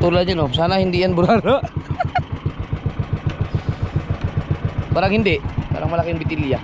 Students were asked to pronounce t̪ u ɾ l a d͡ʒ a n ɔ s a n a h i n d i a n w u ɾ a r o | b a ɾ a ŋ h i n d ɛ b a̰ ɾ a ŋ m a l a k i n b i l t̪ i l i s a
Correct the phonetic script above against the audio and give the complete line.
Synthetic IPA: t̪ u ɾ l a d͡ʒ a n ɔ s a n a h i n d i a n b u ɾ a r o | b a ɾ a ŋ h i n d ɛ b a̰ ɾ a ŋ m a l a k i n b i t̪ i l i a